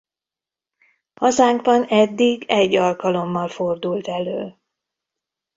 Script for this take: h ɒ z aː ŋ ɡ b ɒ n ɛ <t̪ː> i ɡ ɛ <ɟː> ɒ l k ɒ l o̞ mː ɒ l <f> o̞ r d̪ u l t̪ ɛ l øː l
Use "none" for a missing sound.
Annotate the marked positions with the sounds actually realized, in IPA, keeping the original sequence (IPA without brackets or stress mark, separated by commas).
d̪ː, ɟː, f